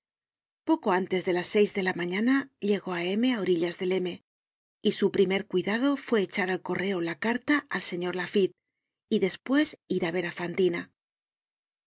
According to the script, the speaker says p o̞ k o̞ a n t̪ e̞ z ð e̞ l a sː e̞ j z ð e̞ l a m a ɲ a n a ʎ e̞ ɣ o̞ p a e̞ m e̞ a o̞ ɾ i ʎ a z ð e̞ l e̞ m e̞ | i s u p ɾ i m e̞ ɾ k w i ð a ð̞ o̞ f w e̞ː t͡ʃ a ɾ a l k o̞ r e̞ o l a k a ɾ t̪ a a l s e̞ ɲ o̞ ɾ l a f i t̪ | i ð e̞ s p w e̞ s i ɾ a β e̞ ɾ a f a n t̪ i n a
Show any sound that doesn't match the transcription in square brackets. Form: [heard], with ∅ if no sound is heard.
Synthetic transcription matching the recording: p o̞ k o̞ a n t̪ e̞ z ð e̞ l a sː e̞ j z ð e̞ l a m a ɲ a n a ʎ e̞ ɣ o̞ [∅] a e̞ m e̞ a o̞ ɾ i ʎ a z ð e̞ l e̞ m e̞ | i s u p ɾ i m e̞ ɾ k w i ð a ð̞ o̞ f w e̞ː t͡ʃ a ɾ a l k o̞ r e̞ o l a k a ɾ t̪ a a l s e̞ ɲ o̞ ɾ l a f i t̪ | i ð e̞ s p w e̞ s i ɾ a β e̞ ɾ a f a n t̪ i n a